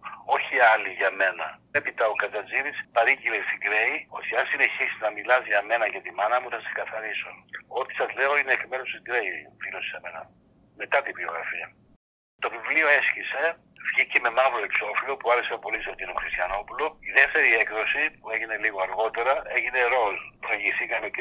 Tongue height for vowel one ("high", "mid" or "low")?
mid